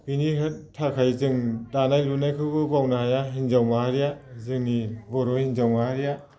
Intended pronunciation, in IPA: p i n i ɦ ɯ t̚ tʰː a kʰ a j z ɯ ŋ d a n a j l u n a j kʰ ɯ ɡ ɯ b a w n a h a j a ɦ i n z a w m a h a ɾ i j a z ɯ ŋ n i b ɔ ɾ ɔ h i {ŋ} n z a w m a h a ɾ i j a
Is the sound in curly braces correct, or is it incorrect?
incorrect: none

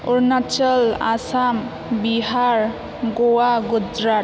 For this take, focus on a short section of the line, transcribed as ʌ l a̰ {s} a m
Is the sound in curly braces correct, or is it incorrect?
correct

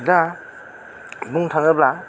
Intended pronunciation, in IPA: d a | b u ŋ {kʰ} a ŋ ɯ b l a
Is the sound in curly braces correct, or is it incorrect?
incorrect: tʰ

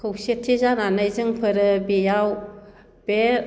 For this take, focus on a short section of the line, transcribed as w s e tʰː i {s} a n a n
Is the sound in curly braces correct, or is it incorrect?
incorrect: z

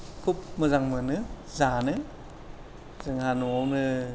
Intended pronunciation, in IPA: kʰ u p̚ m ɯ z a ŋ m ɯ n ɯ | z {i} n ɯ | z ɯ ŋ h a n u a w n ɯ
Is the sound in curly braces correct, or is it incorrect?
incorrect: a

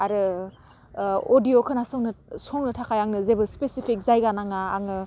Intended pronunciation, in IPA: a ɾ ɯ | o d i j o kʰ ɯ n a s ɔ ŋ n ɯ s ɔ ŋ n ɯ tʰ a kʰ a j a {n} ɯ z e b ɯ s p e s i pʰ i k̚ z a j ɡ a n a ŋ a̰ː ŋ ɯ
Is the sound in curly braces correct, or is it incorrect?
incorrect: ŋ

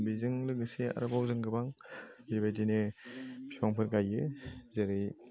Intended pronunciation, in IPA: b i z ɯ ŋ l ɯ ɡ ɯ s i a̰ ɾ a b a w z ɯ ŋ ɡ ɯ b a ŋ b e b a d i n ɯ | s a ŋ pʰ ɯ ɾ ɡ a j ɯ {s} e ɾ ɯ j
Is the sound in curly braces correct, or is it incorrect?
incorrect: z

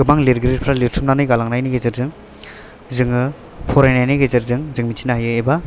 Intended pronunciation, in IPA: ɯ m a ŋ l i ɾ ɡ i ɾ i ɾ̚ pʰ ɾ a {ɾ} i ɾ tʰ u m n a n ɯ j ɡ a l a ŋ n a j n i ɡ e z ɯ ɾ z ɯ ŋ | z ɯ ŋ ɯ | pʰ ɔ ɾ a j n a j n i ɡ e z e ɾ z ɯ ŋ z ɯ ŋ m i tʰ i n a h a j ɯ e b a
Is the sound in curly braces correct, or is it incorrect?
incorrect: l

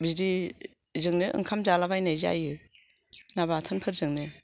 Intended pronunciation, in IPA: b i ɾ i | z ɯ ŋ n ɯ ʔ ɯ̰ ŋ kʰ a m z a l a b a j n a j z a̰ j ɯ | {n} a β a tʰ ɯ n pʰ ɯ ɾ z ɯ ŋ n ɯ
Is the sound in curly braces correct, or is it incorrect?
correct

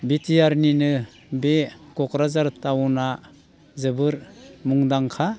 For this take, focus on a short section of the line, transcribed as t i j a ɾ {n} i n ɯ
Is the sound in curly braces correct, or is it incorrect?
correct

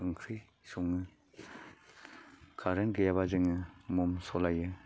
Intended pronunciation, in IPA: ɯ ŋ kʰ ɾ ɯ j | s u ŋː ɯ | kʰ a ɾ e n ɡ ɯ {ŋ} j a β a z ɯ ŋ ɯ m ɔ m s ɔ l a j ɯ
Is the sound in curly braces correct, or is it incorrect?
incorrect: none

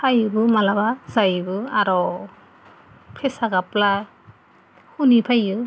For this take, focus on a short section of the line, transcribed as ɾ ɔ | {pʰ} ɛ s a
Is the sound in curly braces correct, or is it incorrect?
correct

